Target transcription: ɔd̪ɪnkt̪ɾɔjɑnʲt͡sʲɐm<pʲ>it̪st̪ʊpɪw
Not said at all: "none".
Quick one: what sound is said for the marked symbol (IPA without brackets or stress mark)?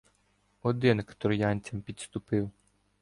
pʲ